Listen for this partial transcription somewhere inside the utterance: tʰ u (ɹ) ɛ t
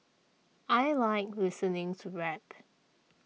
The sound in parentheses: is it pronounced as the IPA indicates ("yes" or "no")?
yes